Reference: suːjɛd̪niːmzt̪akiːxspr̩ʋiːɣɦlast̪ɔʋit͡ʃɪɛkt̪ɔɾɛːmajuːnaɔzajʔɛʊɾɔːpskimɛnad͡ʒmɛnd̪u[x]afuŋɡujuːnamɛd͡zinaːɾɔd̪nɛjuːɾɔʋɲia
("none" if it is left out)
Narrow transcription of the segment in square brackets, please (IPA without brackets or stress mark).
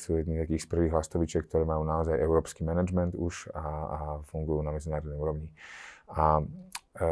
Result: ʃ